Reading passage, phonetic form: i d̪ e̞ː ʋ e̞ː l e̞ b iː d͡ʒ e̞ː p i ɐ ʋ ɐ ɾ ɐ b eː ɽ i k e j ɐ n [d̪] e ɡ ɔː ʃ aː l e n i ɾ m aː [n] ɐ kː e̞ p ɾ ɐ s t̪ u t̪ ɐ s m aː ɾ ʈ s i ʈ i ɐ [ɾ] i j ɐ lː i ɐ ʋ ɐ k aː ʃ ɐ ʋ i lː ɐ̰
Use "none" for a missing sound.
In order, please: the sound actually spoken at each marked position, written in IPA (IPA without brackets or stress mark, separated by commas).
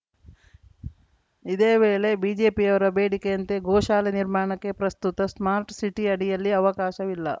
t̪, ɳ, ɽ